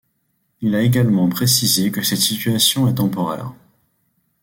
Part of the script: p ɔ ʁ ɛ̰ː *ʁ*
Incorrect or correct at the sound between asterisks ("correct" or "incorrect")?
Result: correct